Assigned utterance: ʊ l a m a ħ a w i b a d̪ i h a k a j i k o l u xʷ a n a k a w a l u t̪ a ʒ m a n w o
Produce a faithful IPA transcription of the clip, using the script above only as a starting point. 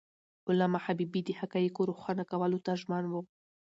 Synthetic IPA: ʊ l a m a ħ a b i b i d̪ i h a k a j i k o ɾ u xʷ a n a k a w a l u t̪ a ʒ m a n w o